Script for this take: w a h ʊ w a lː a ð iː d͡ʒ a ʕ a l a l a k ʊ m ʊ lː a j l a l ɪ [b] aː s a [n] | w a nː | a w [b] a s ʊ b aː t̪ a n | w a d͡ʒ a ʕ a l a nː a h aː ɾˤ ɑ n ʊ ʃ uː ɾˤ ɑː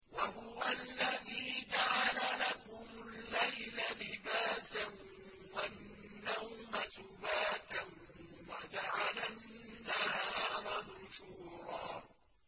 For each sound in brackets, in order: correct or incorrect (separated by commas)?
correct, correct, incorrect